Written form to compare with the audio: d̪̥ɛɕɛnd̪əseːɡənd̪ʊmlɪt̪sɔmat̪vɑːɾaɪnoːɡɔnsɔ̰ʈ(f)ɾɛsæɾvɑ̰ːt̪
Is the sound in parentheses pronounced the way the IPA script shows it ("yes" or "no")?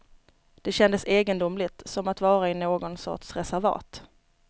no